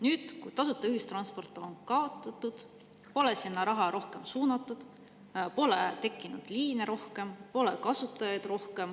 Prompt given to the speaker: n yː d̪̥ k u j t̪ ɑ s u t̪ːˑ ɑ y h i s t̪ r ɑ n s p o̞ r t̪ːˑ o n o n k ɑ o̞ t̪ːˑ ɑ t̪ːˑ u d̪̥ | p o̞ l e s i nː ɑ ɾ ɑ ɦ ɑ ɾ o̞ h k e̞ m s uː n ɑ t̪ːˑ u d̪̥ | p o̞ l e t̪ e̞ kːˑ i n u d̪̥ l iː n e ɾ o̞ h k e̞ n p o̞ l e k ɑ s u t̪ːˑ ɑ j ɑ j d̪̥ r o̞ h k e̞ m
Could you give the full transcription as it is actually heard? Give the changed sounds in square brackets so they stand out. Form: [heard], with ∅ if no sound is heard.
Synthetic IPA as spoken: n yː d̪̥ k u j t̪ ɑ s u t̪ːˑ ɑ y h i s t̪ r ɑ n s p o̞ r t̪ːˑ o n o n k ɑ o̞ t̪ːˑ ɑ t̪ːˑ u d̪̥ | p o̞ l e s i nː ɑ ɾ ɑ ɦ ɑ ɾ o̞ h k e̞ m s uː n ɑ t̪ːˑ u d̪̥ | p o̞ l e t̪ e̞ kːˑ i n u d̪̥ l iː n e ɾ o̞ h k e̞ [m] p o̞ l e k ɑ s u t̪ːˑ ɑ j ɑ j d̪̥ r o̞ h k e̞ m